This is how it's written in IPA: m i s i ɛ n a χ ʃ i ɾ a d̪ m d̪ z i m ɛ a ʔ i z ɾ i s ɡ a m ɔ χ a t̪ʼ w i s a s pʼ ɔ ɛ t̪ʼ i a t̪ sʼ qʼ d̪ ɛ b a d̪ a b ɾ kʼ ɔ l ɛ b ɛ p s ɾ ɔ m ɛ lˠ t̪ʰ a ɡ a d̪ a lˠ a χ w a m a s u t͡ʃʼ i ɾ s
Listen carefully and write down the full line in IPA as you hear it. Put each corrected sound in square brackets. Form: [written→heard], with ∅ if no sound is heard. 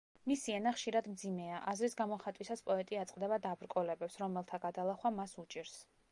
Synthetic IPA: m i s i ɛ n a χ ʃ i ɾ a d̪ m d̪ z i m ɛ a ʔ [i→a] z ɾ i s ɡ a m ɔ χ a t̪ʼ w i s a s pʼ ɔ ɛ t̪ʼ i a t̪ sʼ qʼ d̪ ɛ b a d̪ a b ɾ kʼ ɔ l ɛ b ɛ p s ɾ ɔ m ɛ lˠ t̪ʰ a ɡ a d̪ a lˠ a χ w a m a s u t͡ʃʼ i ɾ s